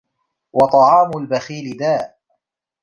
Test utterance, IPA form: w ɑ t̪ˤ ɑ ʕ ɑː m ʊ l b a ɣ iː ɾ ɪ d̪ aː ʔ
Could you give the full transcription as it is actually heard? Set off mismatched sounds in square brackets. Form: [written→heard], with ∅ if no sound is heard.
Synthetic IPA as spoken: w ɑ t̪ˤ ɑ ʕ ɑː m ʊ l b a [ɣ→x] iː [ɾ→l] ɪ d̪ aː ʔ